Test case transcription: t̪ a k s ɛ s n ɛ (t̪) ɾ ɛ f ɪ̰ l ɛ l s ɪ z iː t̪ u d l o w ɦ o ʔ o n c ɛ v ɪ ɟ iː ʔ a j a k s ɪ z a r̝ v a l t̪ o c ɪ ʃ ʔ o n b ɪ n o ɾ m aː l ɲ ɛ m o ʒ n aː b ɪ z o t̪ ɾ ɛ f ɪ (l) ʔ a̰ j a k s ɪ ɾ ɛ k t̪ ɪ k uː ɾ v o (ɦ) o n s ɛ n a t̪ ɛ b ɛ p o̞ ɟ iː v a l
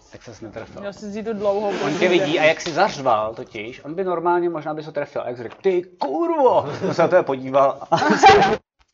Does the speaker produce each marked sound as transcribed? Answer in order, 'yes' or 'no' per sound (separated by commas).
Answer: yes, yes, no